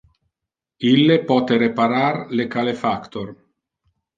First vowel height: high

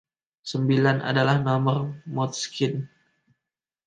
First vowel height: mid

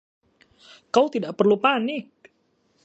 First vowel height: low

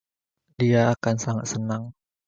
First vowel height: high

